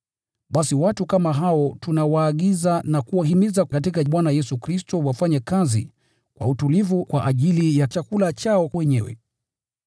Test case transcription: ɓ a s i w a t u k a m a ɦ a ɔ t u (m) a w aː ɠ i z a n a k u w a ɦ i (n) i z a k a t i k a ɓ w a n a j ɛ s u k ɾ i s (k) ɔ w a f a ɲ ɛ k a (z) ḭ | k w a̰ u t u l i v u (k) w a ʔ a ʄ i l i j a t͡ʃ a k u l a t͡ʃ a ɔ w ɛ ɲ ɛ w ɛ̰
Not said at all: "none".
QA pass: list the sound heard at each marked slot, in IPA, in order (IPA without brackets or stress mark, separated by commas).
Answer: n, m, t, z, k